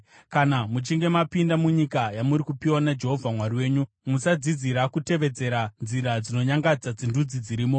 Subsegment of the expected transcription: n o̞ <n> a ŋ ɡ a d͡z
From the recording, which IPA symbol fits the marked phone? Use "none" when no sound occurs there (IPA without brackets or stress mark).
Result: ɲ